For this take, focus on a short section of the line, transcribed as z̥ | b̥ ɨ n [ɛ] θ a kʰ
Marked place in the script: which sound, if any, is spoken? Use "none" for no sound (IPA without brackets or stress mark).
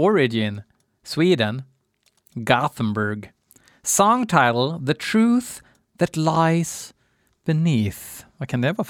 i